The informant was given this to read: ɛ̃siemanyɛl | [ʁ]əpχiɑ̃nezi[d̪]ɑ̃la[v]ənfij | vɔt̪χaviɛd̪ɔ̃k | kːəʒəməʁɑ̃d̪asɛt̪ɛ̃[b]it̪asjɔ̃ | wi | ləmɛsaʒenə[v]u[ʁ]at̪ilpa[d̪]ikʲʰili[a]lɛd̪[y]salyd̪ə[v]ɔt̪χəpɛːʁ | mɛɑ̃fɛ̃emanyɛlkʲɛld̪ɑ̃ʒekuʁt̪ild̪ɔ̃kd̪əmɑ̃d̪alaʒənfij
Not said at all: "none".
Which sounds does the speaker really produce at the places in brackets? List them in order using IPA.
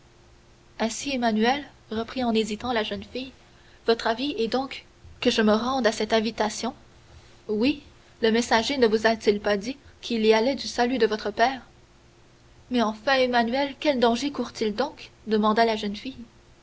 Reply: ʁ, t̪, ʒ, v, v, z, d̪, a, y, v

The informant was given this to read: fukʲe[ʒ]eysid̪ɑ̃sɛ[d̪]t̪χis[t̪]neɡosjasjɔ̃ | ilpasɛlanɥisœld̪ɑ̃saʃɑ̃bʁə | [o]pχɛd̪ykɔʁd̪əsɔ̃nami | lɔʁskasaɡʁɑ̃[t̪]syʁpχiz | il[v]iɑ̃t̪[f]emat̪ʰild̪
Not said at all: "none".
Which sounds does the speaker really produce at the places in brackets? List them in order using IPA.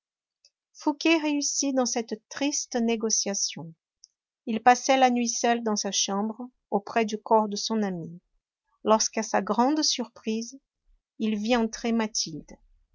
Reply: ʁ, t̪, t̪, o, d̪, v, χ

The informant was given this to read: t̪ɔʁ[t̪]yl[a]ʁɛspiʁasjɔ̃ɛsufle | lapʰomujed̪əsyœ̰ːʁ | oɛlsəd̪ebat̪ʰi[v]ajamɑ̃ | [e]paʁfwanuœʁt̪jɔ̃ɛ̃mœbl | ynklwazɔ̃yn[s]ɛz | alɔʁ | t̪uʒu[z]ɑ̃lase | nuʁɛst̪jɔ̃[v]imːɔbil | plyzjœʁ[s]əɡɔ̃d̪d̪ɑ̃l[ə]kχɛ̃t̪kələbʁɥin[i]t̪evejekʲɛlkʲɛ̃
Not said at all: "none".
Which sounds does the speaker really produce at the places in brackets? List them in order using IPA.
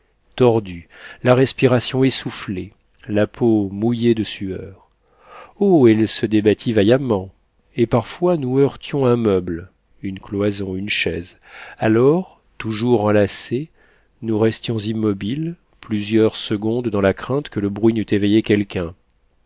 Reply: d̪, a, v, e, ʃ, ʁ, z, s, a, y

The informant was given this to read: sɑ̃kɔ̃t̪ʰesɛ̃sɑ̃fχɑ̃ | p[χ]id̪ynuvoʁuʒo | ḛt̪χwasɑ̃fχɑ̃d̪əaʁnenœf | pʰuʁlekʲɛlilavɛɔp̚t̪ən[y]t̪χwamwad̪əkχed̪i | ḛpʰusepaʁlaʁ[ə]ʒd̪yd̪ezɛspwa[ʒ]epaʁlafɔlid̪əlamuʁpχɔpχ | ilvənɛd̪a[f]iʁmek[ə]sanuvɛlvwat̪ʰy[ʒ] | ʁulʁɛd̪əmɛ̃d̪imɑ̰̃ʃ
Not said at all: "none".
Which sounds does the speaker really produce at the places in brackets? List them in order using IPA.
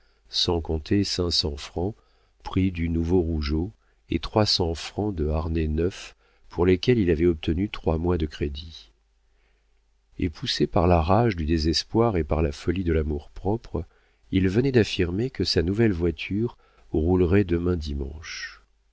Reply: χ, y, a, ʁ, f, ə, ʁ

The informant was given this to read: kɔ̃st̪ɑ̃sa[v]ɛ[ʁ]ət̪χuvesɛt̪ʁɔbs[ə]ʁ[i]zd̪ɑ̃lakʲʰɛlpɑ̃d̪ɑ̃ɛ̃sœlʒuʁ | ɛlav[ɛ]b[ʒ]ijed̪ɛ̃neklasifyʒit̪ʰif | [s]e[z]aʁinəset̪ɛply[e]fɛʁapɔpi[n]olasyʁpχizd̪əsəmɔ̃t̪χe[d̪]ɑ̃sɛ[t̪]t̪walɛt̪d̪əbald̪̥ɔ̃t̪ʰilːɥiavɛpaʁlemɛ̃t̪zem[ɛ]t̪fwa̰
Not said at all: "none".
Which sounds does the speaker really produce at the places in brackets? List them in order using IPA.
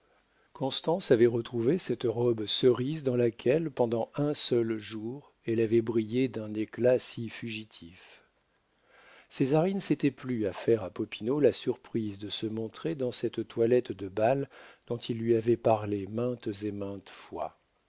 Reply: v, ʁ, ə, i, ɛ, ʁ, s, z, a, n, d̪, t̪, ɛ̃

